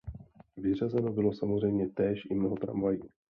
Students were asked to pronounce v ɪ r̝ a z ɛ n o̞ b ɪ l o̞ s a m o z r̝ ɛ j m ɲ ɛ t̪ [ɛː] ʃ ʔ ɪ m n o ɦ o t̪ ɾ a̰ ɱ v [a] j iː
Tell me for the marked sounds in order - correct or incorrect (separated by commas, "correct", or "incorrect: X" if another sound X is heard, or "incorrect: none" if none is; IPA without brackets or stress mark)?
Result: correct, correct